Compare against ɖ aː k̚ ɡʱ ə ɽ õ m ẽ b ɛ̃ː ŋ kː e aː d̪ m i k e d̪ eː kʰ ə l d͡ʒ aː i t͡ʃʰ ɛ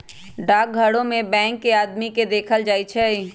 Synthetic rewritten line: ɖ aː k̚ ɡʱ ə ɽ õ m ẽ b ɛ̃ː ŋ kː e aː d̪ m i k e d̪ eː kʰ ə l d͡ʒ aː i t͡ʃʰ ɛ